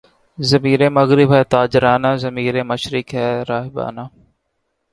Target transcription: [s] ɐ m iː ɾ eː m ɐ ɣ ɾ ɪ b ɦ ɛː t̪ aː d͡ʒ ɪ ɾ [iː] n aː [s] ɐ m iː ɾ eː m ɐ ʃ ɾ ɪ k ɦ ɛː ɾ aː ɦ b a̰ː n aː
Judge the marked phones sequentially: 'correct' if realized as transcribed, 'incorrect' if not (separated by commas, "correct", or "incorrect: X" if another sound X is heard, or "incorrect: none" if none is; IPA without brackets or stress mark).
incorrect: z, incorrect: aː, incorrect: z